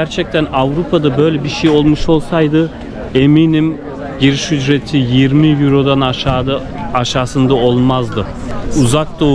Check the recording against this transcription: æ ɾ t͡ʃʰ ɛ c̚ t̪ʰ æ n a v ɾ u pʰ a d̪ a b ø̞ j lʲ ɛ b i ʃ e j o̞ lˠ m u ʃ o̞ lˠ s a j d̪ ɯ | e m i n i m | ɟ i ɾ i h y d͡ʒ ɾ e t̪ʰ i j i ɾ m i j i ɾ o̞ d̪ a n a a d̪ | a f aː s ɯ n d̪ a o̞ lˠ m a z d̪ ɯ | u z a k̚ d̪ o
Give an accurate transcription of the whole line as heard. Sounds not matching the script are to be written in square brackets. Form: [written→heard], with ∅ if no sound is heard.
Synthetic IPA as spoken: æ ɾ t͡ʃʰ ɛ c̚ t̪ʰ æ n a v ɾ u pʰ a d̪ a b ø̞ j lʲ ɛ b i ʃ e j o̞ lˠ m u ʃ o̞ lˠ s a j d̪ ɯ | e m i n i m | ɟ i ɾ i [h→ʃ] y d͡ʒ ɾ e t̪ʰ i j i ɾ m i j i ɾ o̞ d̪ a n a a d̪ | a [f→ʃ] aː s ɯ n d̪ a o̞ lˠ m a z d̪ ɯ | u z a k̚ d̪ o